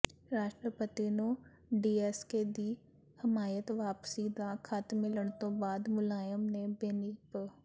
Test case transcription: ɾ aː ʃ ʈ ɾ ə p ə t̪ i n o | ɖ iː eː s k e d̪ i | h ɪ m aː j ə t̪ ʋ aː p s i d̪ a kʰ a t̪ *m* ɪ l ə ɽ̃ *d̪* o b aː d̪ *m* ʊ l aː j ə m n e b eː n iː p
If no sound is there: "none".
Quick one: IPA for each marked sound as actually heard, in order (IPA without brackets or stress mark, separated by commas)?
m, t̪, m